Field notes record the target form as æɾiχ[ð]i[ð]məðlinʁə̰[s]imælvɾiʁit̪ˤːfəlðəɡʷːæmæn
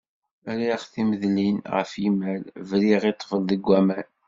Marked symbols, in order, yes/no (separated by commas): no, no, no